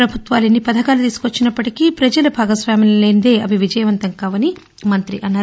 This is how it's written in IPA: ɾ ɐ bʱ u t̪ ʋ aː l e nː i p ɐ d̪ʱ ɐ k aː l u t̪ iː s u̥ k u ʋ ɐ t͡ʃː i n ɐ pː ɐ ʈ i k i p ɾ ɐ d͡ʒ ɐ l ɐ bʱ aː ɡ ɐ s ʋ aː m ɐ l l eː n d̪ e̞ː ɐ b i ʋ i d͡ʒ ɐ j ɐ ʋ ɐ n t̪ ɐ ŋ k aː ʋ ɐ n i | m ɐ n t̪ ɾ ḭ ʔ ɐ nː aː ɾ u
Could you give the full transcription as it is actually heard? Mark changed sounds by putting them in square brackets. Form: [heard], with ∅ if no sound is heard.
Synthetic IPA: ɾ ɐ bʱ u t̪ ʋ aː l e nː i p ɐ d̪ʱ ɐ k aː l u t̪ iː s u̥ k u ʋ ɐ t͡ʃː i n ɐ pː ɐ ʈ i k i p ɾ ɐ d͡ʒ ɐ l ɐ bʱ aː ɡ ɐ s ʋ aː m ɐ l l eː n d̪ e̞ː ɐ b i ʋ i d͡ʒ ɐ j ɐ ʋ ɐ n t̪ ɐ ŋ k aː ʋ ɐ n i | m ɐ n t̪ ɾ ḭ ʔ ɐ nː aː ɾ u